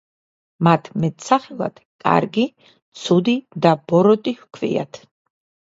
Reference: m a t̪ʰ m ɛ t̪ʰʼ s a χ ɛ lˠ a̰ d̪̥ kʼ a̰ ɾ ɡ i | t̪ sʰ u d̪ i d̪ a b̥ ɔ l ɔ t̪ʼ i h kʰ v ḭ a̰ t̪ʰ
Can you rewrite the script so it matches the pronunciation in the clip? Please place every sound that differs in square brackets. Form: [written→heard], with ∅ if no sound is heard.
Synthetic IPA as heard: m a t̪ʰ m ɛ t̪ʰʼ s a χ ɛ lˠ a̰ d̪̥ kʼ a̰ ɾ ɡ i | t̪ sʰ u d̪ i d̪ a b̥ ɔ [l→ɾ] ɔ t̪ʼ i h kʰ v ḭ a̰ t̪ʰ